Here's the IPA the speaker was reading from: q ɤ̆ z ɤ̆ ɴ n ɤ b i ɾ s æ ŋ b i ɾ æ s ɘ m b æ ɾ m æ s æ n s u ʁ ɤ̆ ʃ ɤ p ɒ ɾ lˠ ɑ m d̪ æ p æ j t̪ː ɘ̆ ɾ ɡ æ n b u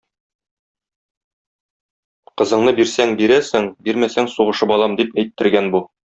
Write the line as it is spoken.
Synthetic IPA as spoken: q ɤ̆ z ɤ̆ ɴ n ɤ b i ɾ s æ ŋ b i ɾ æ s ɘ ŋ b i ɾ m æ s æ ŋ s u ʁ ɤ̆ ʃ ɤ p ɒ lˠ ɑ m d̪ i p æ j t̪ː ɘ̆ ɾ ɡ æ n b u